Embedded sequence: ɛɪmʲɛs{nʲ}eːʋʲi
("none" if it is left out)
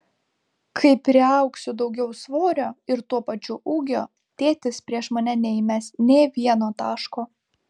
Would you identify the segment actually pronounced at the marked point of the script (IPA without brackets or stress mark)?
nʲ